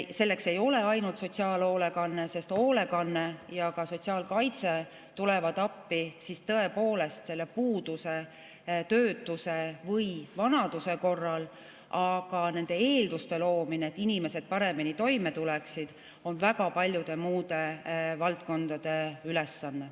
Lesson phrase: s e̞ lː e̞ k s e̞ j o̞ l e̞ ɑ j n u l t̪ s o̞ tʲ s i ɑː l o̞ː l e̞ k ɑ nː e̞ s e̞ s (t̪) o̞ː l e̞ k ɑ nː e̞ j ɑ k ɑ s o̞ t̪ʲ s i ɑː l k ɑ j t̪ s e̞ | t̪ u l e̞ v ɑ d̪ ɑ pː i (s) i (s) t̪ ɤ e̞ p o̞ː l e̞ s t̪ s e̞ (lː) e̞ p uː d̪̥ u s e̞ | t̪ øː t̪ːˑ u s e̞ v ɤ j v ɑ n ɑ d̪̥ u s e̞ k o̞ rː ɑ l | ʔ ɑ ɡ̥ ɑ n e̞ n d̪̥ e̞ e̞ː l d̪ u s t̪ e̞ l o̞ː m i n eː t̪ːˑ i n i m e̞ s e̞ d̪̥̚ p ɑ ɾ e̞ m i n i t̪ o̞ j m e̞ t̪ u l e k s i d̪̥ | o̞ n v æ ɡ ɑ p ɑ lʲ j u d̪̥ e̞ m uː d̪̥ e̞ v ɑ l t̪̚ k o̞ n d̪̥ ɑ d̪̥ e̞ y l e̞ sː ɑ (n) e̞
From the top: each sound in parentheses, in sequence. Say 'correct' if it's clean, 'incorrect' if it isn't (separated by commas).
correct, correct, correct, correct, incorrect